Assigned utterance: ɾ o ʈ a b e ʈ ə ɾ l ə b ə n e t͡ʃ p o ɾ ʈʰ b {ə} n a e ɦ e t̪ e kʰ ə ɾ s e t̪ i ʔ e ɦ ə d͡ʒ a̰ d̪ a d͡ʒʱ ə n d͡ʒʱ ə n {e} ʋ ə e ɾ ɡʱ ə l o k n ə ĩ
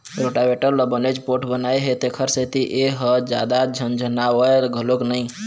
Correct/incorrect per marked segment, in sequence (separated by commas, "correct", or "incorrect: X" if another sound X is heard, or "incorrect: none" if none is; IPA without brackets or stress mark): correct, incorrect: a